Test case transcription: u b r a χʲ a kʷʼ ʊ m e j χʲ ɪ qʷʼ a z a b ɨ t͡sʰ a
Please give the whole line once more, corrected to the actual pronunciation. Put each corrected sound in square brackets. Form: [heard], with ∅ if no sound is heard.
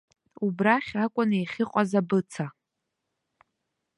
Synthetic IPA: u b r a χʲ a kʷʼ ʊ [n] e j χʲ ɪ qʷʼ a z a b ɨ t͡sʰ a